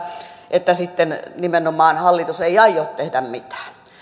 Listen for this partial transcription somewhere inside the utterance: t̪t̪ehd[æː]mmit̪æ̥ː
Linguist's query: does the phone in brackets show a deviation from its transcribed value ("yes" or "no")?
yes